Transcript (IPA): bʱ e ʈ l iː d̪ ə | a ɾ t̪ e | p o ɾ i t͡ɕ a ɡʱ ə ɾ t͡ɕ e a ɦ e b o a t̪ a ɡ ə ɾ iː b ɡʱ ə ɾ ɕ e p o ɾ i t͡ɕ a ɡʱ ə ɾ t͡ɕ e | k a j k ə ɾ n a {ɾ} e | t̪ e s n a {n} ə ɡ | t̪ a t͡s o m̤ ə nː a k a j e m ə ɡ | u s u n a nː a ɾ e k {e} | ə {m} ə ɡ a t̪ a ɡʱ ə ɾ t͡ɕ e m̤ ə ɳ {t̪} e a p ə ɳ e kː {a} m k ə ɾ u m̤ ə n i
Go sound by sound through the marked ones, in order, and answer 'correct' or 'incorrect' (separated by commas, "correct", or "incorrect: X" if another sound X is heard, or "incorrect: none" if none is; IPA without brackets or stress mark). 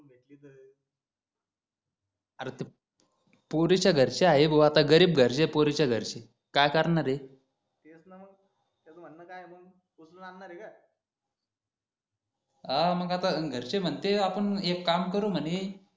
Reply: correct, incorrect: m, incorrect: a, correct, correct, correct